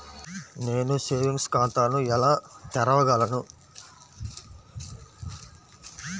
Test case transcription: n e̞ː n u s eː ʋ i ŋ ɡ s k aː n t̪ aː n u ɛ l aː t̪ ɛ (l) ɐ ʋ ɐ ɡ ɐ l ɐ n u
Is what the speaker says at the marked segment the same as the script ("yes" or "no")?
no